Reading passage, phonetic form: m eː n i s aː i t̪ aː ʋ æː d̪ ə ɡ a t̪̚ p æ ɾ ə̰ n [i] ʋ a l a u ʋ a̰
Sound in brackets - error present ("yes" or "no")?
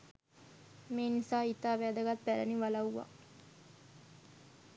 no